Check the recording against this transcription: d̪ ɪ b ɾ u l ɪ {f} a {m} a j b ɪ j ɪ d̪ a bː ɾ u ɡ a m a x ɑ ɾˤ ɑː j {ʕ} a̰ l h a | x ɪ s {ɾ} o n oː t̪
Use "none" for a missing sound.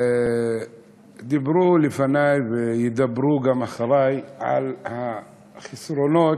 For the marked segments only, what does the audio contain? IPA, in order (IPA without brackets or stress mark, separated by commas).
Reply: f, n, ʕ, ɾ